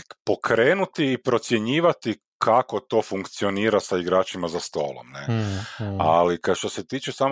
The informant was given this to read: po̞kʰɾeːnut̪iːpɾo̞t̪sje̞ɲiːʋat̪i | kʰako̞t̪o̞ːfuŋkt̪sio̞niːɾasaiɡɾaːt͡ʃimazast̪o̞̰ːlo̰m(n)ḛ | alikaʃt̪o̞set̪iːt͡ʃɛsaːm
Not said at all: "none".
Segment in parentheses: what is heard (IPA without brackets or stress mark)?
n